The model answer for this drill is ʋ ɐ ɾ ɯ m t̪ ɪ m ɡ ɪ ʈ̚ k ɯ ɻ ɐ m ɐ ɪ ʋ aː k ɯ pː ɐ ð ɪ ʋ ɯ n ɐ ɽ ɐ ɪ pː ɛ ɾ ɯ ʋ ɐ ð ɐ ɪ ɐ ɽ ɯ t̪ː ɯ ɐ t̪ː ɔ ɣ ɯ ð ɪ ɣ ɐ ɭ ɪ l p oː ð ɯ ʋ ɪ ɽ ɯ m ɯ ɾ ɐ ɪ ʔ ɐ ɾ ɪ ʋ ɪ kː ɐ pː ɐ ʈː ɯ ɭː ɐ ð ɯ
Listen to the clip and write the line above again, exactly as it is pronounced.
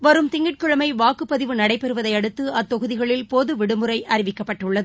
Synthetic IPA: ʋ ɐ ɾ ɯ m t̪ ɪ ŋ ɡ ɪ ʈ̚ k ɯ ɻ ɐ m ɐ ɪ ʋ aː k ɯ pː ɐ ð ɪ ʋ ɯ n ɐ ɽ ɐ ɪ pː ɛ ɾ ɯ ʋ ɐ ð ɐ ɪ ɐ ɽ ɯ t̪ː ɯ ɐ t̪ː ɔ ɣ ɯ ð ɪ ɣ ɐ ɭ ɪ l p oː ð ɯ ʋ ɪ ɽ ɯ m ɯ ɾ ɐ ɪ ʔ ɐ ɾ ɪ ʋ ɪ kː ɐ pː ɐ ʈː ɯ ɭː ɐ ð ɯ